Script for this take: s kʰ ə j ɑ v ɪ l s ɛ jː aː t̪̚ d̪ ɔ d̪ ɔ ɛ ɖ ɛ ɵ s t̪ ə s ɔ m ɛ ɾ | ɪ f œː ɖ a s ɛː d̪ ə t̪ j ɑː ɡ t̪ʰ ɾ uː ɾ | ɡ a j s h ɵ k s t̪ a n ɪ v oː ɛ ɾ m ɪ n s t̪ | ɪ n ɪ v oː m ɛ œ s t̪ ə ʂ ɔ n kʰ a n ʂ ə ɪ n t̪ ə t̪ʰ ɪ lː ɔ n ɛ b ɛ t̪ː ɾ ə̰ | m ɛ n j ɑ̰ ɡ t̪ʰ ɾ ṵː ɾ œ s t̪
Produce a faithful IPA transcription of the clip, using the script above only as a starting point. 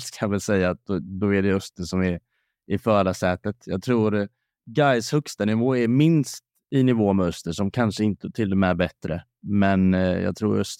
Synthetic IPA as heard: s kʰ a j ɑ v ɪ l s ɛ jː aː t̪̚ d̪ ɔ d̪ ɔ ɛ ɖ ɛ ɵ s t̪ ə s ɔ m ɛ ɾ | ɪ f œː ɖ a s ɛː t̪ ə t̪ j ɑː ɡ t̪ʰ ɾ uː ɾ | ɡ a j s h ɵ k s t̪ a n ɪ v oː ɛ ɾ m ɪ n s t̪ | ɪ n ɪ v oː m ɛ œ s t̪ ə ʂ ɔ m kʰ a n ʂ ə ɪ n t̪ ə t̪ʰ ɪ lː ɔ m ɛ b ɛ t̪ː ɾ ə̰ | m ɛ n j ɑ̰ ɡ t̪ʰ ɾ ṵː ɾ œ s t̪